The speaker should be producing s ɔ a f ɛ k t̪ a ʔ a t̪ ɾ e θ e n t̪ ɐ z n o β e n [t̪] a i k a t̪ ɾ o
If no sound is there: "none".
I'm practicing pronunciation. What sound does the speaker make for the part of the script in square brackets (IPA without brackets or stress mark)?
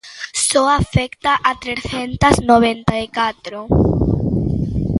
t̪